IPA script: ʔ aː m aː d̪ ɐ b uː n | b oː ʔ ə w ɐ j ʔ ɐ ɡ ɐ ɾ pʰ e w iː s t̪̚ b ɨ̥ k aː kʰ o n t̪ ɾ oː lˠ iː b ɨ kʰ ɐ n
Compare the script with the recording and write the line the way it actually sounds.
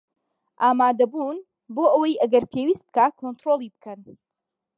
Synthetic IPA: ʔ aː m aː d̪ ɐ b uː n | b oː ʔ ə w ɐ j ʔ ɐ ɡ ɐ ɾ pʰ e w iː s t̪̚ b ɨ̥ k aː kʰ o n t̪ ɾ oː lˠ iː b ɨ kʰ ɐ n